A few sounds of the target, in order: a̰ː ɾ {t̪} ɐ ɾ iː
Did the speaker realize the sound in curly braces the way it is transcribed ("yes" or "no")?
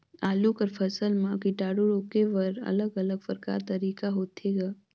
yes